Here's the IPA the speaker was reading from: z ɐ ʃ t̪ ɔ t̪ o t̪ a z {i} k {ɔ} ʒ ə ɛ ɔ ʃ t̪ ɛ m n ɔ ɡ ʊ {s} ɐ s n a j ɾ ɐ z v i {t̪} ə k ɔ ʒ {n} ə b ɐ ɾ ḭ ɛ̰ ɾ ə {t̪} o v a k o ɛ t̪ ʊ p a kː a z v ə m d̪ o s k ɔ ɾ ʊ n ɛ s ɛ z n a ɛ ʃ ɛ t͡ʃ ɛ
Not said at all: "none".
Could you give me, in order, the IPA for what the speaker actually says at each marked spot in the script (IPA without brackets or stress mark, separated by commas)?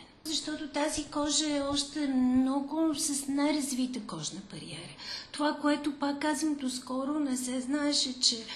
i, ɔ, s, t̪, n, t̪